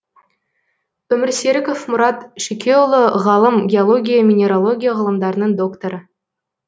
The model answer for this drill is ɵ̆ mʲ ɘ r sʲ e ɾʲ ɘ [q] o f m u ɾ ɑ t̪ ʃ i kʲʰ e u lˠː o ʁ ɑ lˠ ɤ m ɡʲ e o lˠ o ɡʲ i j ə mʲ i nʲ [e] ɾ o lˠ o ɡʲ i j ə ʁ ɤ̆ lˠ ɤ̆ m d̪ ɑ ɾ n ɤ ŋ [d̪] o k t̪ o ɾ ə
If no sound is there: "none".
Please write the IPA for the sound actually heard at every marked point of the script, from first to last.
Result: k, e, d̪

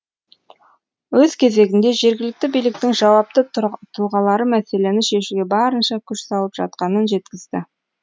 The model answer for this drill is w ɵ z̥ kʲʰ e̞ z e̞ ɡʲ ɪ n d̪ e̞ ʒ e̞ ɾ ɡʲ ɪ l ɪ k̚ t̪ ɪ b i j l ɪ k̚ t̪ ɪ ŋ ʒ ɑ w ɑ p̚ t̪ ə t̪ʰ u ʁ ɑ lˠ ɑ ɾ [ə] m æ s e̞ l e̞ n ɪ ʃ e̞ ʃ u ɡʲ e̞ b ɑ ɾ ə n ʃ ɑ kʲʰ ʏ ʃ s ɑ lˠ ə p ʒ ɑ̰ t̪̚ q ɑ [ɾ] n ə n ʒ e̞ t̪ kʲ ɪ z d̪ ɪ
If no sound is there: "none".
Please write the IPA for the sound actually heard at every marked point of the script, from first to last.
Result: ə, none

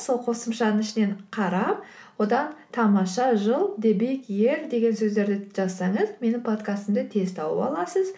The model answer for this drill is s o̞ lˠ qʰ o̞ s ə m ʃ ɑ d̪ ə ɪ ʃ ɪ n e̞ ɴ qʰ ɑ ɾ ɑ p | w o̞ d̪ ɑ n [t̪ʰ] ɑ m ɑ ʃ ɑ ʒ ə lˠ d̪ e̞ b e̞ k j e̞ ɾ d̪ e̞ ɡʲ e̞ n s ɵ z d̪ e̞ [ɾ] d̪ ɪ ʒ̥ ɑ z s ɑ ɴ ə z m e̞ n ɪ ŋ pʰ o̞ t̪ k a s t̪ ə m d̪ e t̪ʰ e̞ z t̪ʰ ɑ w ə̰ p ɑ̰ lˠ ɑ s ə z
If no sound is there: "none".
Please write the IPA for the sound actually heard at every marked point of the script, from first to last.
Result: t̪ʰ, ɾ

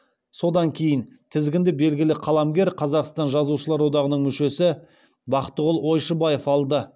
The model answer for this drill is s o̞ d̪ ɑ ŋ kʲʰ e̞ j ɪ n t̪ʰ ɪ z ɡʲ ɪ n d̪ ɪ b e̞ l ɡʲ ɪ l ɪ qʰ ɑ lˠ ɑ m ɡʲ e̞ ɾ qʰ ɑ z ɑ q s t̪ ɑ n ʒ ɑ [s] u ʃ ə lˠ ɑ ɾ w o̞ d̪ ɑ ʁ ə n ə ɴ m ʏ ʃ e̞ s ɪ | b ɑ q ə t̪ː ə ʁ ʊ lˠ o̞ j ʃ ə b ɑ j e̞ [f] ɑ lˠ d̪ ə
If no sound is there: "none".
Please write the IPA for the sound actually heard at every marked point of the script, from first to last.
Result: z, f

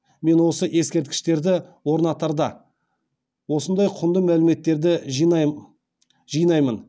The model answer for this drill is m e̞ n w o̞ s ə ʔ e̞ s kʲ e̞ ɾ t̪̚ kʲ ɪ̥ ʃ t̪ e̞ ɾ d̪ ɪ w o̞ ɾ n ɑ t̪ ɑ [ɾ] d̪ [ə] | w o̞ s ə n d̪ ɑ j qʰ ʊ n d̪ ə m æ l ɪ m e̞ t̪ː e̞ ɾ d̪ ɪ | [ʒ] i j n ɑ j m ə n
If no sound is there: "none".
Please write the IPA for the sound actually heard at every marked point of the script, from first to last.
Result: ɾ, ɑ, ʒ

